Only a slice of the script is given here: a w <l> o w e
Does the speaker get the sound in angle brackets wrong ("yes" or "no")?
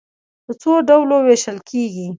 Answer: no